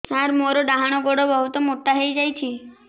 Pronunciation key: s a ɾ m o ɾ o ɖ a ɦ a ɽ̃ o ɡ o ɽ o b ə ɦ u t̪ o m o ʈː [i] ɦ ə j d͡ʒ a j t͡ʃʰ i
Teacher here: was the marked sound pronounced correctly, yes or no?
no